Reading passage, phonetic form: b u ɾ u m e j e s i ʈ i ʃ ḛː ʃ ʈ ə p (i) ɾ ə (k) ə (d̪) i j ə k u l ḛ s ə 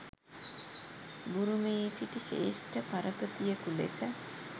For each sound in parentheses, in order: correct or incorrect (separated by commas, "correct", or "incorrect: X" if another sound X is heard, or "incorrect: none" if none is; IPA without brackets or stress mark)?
incorrect: a, incorrect: p, incorrect: t̪